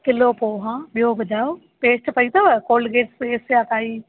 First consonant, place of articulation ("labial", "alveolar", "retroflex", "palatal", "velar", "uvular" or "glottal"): velar